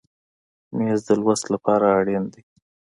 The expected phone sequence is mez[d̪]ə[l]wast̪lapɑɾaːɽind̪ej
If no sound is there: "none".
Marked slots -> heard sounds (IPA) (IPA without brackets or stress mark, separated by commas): d̪, l